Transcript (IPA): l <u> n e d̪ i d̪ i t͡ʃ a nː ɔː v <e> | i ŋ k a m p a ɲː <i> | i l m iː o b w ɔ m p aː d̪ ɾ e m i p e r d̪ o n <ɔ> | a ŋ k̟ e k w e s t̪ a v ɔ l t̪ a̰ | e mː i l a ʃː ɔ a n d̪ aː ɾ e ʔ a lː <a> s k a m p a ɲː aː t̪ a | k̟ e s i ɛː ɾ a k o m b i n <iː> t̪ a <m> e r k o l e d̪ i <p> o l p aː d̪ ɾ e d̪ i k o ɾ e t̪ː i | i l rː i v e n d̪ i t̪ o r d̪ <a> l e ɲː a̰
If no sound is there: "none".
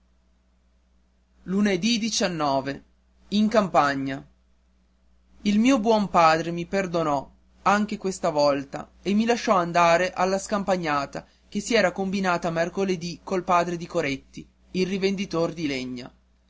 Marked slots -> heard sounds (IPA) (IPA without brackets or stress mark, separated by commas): u, e, a, ɔ, a, aː, m, k, i